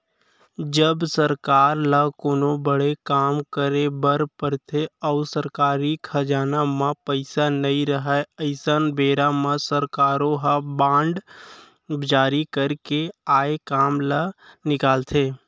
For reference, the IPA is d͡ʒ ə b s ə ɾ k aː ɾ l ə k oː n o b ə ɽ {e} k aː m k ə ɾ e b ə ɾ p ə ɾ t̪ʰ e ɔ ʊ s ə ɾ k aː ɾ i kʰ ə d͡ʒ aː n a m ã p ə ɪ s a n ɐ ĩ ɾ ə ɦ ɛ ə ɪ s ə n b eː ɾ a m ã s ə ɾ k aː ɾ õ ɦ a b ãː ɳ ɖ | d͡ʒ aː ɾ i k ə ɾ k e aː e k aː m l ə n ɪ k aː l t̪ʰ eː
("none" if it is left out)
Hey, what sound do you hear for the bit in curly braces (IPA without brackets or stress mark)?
e